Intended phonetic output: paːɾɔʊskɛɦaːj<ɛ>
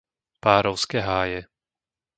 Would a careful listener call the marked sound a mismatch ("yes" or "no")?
no